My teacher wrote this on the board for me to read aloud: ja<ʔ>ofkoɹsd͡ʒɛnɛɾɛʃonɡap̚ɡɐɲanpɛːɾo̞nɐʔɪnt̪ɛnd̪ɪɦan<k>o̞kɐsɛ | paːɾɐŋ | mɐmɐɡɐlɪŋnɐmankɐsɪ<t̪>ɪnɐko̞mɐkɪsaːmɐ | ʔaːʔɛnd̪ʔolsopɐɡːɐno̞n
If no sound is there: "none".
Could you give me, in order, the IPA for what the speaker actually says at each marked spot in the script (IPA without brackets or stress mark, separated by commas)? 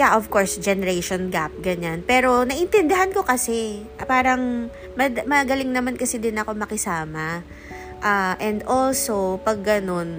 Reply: ʔ, k, d̪